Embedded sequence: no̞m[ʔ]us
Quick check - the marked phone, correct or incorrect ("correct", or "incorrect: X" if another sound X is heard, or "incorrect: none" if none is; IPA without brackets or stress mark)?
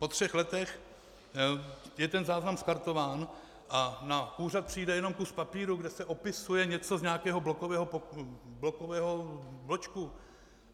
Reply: incorrect: k